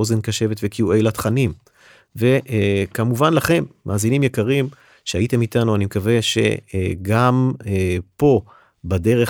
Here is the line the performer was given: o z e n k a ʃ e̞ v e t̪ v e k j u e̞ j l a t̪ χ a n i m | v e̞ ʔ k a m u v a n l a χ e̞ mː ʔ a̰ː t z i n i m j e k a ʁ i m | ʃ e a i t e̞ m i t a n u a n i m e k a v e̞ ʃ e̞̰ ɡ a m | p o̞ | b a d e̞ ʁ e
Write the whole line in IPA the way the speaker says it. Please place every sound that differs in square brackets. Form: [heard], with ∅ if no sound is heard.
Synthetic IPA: o z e n k a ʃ e̞ v e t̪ v e k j u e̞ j l a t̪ χ a n i m | v e̞ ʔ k a m u v a n l a χ e̞ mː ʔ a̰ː [∅] z i n i m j e k a ʁ i m | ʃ e a i t e̞ m i t a n u a n i m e k a v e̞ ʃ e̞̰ ɡ a m | p o̞ | b a d e̞ ʁ e